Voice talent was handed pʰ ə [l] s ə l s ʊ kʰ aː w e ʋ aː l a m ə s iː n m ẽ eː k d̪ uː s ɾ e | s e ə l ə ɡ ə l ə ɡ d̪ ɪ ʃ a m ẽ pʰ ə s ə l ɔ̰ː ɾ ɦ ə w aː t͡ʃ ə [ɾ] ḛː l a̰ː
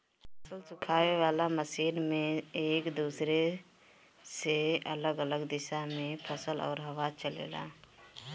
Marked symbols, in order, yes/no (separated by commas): no, no